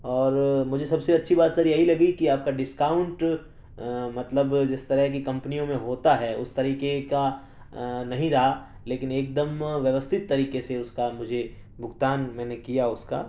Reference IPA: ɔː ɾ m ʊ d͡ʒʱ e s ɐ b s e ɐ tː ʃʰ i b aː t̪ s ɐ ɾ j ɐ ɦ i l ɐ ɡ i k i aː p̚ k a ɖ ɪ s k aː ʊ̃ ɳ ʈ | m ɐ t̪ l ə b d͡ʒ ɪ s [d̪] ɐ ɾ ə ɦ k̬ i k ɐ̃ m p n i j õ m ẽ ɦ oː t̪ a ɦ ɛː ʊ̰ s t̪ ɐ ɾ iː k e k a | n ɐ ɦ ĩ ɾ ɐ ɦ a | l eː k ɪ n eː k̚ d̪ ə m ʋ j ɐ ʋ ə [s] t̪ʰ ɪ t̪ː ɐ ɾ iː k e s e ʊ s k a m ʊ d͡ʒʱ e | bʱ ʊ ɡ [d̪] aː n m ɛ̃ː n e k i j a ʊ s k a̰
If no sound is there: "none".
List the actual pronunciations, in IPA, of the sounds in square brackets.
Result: t̪, s, t̪

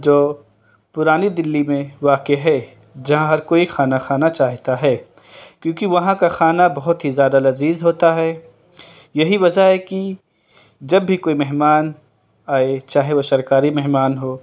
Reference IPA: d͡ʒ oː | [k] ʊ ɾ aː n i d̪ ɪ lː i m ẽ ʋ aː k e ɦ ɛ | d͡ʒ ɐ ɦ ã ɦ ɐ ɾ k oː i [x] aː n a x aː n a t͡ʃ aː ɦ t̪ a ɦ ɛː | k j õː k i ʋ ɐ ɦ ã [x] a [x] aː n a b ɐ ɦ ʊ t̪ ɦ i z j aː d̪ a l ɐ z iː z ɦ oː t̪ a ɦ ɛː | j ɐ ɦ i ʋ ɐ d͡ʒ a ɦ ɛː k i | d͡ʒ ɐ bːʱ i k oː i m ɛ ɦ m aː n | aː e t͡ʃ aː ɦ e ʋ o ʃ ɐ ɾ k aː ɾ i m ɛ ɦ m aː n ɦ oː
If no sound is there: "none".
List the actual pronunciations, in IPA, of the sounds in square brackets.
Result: p, x, k, x

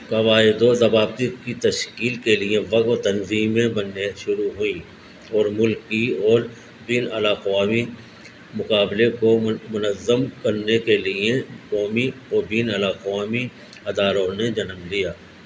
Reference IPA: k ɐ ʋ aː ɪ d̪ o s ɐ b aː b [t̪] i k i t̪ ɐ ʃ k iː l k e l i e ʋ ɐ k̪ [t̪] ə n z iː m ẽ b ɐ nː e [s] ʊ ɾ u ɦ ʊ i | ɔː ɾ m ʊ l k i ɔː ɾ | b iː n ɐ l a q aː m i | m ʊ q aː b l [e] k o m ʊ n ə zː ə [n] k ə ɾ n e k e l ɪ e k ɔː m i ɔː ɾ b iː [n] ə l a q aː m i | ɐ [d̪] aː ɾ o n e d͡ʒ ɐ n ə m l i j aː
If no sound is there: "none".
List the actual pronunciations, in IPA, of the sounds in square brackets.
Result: t̪, t̪, ʃ, e, m, n, d̪

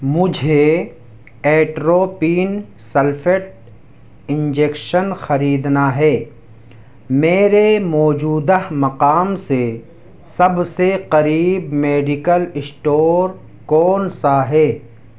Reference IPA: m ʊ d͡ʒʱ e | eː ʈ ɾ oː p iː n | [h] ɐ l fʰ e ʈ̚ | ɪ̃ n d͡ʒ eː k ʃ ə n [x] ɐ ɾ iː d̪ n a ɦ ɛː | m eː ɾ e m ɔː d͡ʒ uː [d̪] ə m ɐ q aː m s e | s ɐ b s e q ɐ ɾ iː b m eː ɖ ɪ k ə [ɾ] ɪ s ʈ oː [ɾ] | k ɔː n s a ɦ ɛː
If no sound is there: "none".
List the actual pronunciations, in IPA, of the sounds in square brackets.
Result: s, x, d̪, l, ɾ

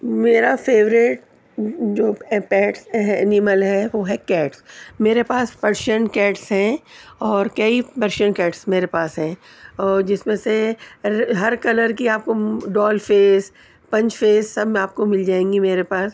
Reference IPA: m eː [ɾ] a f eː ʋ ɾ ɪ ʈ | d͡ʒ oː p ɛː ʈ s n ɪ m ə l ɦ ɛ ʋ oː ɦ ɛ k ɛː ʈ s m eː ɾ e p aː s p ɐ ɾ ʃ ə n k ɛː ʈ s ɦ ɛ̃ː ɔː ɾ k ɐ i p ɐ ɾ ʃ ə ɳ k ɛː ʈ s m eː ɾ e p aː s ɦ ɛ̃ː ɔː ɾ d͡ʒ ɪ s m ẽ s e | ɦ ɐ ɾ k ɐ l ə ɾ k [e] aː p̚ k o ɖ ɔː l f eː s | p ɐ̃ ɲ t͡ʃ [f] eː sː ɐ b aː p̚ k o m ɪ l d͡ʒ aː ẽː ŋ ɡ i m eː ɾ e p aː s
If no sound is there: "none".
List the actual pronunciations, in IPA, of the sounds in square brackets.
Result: ɾ, i, f

